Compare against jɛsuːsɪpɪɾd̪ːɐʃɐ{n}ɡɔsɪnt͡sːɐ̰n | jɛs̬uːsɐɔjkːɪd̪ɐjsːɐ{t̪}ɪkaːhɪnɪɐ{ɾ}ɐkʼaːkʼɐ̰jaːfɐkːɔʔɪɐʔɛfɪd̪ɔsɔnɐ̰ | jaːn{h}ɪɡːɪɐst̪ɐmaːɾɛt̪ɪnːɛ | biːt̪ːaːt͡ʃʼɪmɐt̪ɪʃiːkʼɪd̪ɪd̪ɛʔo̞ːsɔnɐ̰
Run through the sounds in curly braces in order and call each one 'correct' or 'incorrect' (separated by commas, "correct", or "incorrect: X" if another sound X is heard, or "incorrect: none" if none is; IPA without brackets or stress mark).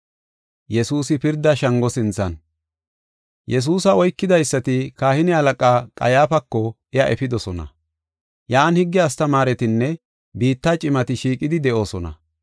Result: incorrect: ŋ, correct, incorrect: l, correct